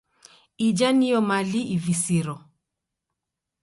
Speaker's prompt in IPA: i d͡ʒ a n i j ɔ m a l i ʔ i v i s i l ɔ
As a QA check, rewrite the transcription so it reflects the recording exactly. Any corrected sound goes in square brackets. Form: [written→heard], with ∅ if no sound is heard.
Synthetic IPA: i d͡ʒ a n i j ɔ m a l i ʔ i v i s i [l→ɾ] ɔ

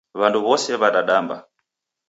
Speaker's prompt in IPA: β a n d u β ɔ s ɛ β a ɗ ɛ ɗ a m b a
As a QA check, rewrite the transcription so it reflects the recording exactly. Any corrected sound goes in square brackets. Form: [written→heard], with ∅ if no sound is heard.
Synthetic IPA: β a n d u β ɔ s ɛ β a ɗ [ɛ→a] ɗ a m b a

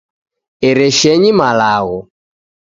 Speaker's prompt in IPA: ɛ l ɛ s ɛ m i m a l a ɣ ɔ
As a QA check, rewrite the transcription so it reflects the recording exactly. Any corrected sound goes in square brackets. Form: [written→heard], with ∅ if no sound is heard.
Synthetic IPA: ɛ [l→ɾ] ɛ [s→ʃ] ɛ [m→ɲ] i m a l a ɣ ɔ

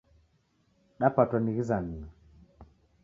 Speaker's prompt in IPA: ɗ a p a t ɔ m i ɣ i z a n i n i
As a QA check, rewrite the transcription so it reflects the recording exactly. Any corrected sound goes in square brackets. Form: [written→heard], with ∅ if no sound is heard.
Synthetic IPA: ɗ a p a t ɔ [m→n] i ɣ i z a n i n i

